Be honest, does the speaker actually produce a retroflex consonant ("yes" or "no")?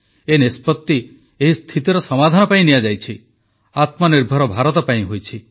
no